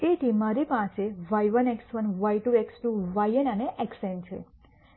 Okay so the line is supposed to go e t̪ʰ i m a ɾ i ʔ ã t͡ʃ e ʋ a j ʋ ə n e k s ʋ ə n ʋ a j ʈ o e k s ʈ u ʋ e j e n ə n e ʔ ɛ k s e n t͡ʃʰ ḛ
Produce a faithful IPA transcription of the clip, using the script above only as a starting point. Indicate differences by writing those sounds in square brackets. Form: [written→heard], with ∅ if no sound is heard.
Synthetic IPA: e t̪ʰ i m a ɾ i [ʔ→p] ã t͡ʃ e ʋ a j ʋ ə n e k s ʋ ə n ʋ a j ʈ [o→u] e k s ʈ u ʋ [e→a] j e n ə n e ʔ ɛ k s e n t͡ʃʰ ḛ